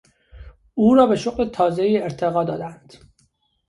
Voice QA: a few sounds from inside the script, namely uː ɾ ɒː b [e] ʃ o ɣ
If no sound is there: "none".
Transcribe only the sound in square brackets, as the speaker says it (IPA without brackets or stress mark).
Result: e